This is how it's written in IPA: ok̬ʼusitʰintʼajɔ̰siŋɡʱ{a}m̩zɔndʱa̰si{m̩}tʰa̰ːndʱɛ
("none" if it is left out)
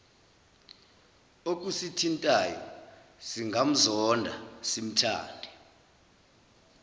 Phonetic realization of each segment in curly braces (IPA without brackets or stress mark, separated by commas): a, m̩